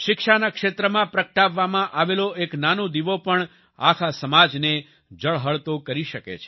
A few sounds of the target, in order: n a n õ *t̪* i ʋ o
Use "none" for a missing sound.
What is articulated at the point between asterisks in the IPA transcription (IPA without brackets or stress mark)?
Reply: d̪